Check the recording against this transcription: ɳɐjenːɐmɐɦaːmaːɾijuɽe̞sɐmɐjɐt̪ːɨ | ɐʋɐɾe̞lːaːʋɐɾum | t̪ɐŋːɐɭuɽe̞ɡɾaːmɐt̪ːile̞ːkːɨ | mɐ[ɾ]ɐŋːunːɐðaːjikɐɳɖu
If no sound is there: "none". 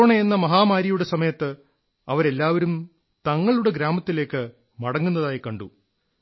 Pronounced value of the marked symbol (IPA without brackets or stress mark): ɽ